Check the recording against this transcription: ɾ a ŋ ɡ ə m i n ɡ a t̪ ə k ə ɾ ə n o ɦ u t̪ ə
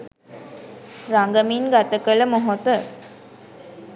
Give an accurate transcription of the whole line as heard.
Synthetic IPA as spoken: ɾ a ŋ ɡ ə m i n ɡ a t̪ ə k ə l ə m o ɦ o t̪ ə